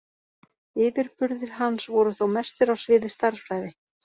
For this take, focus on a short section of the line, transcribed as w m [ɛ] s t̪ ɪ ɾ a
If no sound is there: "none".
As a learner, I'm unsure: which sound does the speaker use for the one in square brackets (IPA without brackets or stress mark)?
ɛ